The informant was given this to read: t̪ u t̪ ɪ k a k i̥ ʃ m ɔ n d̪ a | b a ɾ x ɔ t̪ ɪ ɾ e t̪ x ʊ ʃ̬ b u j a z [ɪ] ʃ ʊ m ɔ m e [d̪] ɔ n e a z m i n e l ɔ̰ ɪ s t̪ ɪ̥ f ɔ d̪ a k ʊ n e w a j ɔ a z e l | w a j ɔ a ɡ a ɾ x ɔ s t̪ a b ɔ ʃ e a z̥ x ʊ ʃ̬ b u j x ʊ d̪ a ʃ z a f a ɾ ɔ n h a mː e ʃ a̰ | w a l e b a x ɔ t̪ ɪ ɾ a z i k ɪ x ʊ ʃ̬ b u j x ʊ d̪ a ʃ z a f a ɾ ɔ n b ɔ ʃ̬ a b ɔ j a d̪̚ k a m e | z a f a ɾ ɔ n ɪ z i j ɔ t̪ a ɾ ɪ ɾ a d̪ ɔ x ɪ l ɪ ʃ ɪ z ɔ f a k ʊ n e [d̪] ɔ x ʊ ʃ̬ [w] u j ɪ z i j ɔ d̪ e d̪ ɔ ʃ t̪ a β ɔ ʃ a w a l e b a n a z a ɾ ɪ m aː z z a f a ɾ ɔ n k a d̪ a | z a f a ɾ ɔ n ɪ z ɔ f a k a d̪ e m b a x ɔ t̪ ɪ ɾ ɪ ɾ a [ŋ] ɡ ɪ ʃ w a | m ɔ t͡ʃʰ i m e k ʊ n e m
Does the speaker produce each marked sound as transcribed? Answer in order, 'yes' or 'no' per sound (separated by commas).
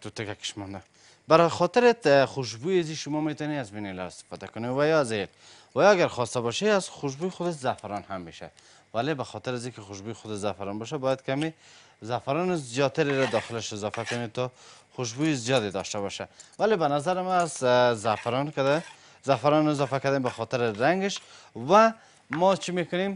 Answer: no, no, no, no, yes